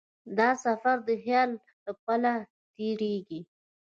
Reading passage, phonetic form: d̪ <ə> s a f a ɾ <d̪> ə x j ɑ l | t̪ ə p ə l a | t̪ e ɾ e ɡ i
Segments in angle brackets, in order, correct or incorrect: incorrect, correct

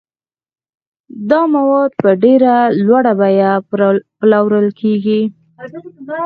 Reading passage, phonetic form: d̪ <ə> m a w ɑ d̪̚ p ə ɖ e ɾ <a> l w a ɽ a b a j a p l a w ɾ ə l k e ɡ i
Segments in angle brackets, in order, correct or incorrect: incorrect, correct

